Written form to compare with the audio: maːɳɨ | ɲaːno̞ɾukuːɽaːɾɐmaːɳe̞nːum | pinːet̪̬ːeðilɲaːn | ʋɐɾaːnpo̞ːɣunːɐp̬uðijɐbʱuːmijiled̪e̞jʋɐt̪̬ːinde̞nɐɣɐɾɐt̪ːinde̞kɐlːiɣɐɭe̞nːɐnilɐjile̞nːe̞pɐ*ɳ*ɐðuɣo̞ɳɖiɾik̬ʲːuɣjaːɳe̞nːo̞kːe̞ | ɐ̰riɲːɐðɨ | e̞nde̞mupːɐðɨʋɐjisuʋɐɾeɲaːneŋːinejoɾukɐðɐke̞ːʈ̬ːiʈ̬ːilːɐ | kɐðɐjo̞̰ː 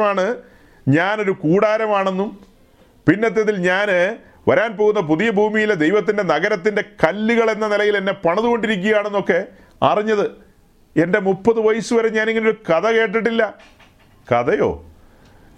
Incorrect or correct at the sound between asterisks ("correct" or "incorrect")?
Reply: correct